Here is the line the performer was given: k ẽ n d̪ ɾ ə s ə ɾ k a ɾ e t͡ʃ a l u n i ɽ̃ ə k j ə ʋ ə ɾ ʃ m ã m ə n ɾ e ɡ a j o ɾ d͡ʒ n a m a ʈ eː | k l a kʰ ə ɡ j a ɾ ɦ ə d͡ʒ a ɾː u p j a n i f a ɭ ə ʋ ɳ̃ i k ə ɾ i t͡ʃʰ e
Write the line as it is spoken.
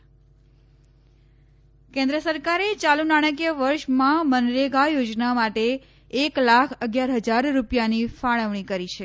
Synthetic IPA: k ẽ n d̪ ɾ ə s ə ɾ k a ɾ e t͡ʃ a l u n a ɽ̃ ə k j ə ʋ ə ɾ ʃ m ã m ə n ɾ e ɡ a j o d͡ʒ n a m a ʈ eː | k l a kʰ ə ɡ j a ɾ ɦ ə d͡ʒ a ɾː u p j a n i f a ɭ ə ʋ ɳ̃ i k ə ɾ i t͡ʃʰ e